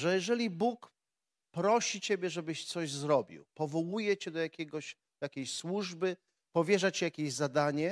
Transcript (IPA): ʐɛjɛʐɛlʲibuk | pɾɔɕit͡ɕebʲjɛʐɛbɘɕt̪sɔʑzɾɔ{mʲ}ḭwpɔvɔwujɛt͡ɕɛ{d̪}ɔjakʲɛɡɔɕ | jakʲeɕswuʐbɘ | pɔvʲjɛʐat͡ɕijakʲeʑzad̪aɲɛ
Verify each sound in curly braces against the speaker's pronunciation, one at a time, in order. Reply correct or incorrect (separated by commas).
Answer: incorrect, correct